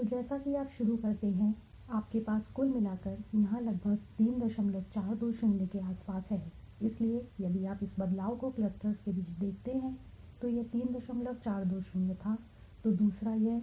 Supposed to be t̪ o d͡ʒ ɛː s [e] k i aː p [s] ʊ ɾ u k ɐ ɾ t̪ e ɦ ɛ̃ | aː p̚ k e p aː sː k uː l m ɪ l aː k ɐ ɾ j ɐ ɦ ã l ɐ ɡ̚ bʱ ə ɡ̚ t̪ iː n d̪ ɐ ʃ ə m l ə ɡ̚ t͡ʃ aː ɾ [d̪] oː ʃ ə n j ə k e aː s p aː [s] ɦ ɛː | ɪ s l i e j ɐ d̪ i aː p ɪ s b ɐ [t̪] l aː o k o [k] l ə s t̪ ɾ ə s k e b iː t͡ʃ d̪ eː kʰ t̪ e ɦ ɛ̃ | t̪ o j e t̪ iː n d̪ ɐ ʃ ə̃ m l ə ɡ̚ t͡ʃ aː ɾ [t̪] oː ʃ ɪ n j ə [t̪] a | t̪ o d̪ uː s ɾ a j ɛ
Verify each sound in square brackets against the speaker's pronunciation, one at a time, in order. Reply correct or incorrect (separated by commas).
incorrect, incorrect, correct, correct, incorrect, correct, incorrect, incorrect